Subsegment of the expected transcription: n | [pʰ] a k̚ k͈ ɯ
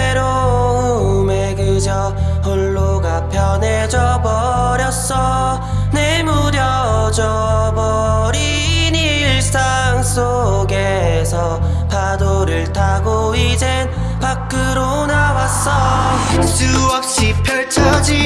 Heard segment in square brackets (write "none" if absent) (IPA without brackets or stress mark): p